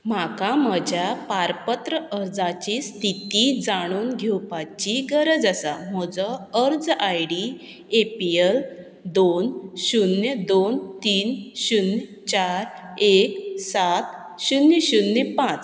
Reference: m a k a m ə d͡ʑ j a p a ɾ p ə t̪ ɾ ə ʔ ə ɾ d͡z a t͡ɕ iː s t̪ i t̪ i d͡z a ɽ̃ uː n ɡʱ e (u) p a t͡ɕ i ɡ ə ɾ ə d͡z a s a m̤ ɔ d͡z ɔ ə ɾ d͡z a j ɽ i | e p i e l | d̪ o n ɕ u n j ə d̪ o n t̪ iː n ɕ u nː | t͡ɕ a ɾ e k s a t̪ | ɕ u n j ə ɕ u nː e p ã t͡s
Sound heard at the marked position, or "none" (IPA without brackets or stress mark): w